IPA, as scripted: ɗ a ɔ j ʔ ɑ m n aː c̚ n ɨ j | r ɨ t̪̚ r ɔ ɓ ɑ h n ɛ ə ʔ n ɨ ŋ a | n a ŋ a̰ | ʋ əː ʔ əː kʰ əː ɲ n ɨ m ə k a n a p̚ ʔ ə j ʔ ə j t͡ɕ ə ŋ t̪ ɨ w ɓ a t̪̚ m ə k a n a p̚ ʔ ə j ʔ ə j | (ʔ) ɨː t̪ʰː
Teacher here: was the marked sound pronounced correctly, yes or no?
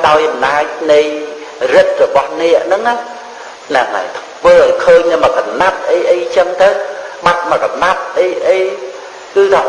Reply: no